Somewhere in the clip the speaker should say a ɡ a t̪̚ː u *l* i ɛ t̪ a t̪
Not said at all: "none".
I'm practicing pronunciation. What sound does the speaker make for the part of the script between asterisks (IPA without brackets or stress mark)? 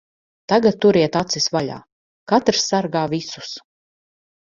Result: ɾ